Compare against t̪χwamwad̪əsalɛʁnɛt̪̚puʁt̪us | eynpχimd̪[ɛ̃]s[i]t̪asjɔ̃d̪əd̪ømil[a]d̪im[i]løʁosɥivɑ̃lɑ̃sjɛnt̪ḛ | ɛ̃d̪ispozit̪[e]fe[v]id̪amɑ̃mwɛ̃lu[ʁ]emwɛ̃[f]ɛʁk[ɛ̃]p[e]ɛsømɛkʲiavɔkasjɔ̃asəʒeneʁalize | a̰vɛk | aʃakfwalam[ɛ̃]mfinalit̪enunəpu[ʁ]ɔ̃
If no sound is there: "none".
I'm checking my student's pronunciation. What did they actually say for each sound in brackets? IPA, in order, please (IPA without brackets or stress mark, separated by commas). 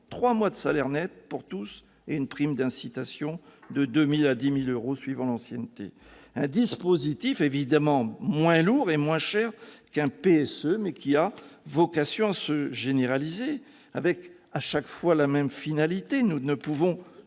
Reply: ɛ̃, i, a, i, i, v, ʁ, ʃ, ɛ̃, e, ɛ, v